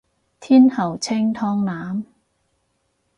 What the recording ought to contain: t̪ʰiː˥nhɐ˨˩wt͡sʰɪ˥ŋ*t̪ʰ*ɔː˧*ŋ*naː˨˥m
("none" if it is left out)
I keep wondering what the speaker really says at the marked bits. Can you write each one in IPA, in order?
t̪ʰ, ŋ

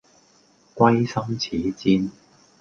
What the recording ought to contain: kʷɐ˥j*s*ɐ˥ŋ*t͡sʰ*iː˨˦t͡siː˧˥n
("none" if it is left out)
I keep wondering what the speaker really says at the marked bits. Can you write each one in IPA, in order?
s, t͡sʰ

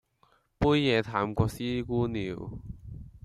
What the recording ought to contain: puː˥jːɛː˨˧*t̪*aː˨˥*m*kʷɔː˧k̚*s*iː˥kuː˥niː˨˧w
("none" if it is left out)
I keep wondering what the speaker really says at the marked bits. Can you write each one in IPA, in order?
t̪ʰ, m, s

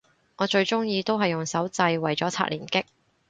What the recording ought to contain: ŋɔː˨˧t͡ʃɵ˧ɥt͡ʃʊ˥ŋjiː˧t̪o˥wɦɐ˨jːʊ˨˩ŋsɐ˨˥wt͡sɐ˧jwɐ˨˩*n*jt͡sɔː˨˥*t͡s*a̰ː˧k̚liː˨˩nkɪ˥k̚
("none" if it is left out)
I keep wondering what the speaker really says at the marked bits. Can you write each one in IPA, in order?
none, t͡sʰ

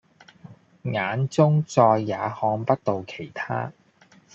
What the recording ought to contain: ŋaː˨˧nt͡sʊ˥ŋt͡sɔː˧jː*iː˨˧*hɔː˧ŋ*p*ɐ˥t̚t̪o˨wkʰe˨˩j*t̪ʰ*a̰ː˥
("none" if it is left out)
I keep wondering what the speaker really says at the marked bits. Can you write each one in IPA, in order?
aː˨˧, p, t̪ʰ

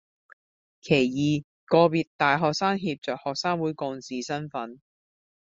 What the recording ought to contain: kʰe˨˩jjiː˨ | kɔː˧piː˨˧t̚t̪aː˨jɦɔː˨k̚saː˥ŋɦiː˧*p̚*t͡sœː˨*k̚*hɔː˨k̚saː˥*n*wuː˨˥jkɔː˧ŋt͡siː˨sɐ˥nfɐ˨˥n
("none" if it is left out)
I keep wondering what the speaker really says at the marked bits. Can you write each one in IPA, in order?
p̚, k̚, ŋ

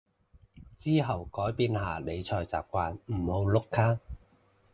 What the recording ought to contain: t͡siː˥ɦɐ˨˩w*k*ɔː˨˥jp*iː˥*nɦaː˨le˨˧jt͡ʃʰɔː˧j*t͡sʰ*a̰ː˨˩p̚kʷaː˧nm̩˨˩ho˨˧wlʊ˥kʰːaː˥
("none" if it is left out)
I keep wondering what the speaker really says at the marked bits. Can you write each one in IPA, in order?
k, iː˧, t͡s

